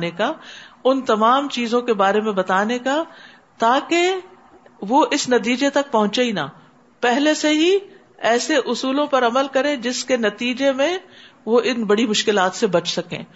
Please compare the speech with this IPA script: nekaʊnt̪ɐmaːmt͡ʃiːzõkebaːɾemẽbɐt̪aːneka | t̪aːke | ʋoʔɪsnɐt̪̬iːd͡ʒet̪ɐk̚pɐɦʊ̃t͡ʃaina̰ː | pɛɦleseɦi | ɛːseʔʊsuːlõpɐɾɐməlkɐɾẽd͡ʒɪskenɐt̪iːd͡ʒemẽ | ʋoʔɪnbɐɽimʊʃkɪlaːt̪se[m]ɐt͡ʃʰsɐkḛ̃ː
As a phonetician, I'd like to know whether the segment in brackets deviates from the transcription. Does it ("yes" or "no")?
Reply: yes